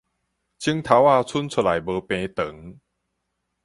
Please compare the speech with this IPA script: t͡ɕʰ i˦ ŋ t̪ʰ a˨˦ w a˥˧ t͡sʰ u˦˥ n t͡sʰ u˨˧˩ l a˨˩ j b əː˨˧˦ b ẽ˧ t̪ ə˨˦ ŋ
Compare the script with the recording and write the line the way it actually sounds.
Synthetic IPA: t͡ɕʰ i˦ ŋ t̪ʰ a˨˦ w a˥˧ t͡sʰ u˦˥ n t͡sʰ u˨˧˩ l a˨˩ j b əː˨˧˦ p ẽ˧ t̪ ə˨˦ ŋ